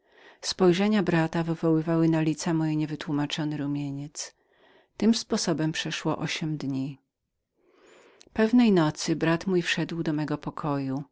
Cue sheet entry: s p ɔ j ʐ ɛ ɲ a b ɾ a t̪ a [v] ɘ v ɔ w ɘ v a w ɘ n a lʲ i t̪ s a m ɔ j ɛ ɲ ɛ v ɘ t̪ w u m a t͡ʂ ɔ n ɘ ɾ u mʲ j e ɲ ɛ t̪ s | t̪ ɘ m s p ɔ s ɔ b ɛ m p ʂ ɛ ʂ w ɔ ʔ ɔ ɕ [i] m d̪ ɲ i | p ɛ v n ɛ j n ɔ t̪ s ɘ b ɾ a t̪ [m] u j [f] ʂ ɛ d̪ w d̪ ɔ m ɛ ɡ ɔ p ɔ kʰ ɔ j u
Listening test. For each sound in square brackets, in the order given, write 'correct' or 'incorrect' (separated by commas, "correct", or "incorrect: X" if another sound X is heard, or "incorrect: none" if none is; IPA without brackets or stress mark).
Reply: correct, incorrect: ɛ, correct, correct